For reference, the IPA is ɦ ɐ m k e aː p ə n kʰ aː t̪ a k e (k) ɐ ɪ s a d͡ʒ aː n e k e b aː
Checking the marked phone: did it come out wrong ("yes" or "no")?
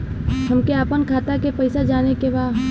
yes